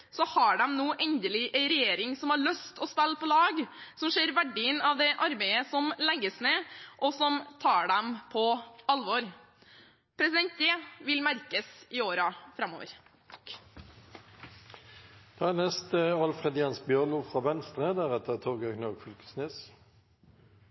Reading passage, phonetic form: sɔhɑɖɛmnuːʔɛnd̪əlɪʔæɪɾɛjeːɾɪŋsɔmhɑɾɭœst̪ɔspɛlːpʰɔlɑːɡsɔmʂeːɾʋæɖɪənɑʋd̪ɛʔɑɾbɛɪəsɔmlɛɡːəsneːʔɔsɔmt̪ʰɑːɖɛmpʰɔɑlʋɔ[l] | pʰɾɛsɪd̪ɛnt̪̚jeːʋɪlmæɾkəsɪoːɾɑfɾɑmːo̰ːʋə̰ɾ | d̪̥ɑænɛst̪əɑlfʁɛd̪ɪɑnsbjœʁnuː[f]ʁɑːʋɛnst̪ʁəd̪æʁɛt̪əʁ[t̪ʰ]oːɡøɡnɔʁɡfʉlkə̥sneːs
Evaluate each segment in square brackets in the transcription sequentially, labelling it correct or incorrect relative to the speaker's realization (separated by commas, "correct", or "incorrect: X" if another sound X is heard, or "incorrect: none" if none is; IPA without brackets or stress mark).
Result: incorrect: ɾ, correct, correct